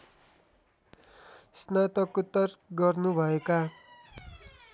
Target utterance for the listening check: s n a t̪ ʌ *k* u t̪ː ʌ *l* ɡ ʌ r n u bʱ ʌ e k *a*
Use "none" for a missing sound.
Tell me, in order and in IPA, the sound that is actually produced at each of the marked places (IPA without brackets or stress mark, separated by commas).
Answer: k, r, a